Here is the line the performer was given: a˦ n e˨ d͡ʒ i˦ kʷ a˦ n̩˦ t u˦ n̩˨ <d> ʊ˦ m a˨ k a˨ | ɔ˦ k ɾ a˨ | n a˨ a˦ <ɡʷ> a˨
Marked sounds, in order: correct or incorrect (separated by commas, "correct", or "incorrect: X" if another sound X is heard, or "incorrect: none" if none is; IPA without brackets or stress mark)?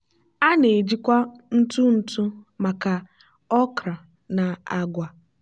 incorrect: t, correct